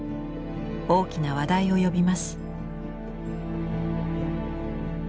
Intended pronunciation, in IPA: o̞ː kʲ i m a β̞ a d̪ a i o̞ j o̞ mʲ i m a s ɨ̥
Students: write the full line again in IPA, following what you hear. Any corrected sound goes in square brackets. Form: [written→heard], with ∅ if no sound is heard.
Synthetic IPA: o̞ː kʲ i [m→n] a β̞ a d̪ a i o̞ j o̞ [mʲ→bʲ] i m a s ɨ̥